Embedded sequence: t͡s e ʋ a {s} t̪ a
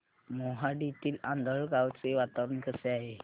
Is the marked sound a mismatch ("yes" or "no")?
yes